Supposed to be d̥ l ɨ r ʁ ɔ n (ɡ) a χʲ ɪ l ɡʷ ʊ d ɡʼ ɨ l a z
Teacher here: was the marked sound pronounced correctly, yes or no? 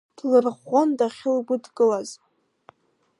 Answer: no